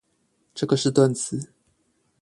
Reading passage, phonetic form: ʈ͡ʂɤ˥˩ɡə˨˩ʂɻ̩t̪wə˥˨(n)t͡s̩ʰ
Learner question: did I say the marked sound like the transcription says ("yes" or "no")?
yes